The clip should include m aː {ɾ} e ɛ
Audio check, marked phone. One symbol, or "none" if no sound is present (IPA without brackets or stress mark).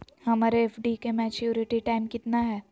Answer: ɾ